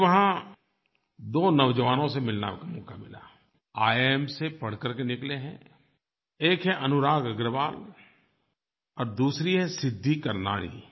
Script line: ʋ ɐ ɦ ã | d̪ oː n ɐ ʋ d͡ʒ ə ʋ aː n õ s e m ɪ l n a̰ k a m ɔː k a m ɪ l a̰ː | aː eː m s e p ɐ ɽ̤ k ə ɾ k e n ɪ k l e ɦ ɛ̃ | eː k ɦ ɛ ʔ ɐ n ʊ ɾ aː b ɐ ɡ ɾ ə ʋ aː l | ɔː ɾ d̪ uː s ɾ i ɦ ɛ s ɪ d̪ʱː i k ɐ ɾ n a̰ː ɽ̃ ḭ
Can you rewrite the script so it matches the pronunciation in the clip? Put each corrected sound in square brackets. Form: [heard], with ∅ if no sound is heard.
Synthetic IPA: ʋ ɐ ɦ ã | d̪ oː n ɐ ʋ d͡ʒ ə ʋ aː n õ s e m ɪ l n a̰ k a m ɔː k a m ɪ l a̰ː | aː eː m s e p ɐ ɽ̤ k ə ɾ k e n ɪ k l e ɦ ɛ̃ | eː k ɦ ɛ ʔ ɐ n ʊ ɾ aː [ɡ] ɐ ɡ ɾ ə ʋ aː l | ɔː ɾ d̪ uː s ɾ i ɦ ɛ s ɪ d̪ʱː i k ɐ ɾ n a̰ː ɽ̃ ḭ